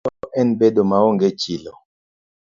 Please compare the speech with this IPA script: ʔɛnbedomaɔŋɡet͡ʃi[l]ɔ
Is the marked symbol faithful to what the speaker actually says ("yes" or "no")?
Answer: yes